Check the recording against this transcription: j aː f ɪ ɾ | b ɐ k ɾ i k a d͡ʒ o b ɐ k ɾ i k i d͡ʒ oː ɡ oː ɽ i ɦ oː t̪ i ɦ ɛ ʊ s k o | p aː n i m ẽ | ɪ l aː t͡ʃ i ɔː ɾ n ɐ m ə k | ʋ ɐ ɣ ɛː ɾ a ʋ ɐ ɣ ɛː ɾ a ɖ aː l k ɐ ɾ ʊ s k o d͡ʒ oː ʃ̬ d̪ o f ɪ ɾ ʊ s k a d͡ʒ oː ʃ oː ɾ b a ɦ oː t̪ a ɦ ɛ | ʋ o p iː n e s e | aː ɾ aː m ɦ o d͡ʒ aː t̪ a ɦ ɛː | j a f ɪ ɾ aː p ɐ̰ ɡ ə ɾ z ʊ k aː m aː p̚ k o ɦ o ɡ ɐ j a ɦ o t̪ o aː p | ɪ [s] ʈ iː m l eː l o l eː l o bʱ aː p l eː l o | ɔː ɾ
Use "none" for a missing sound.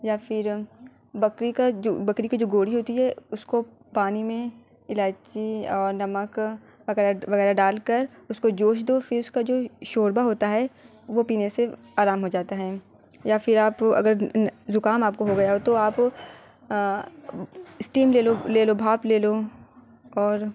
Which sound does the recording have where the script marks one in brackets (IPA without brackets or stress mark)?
s